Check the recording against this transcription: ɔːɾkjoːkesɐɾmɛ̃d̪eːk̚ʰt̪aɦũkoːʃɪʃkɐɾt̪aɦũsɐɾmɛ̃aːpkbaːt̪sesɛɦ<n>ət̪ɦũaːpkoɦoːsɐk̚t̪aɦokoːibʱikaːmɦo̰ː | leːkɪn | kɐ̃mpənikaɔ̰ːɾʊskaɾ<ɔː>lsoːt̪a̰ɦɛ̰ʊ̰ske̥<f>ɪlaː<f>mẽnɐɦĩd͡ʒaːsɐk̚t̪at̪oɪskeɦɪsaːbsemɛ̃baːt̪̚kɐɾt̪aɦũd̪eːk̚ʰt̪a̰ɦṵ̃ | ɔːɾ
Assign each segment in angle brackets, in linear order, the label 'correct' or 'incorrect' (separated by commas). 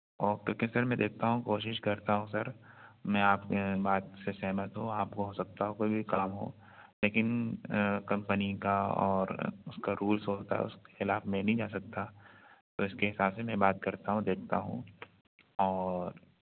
incorrect, incorrect, incorrect, correct